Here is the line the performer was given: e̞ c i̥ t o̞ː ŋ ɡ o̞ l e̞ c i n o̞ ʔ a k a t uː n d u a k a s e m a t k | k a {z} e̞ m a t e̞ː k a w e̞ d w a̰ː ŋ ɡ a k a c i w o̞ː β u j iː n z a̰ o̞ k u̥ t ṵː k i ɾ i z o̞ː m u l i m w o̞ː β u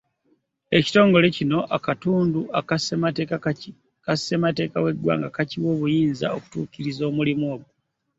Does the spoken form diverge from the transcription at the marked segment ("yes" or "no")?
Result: yes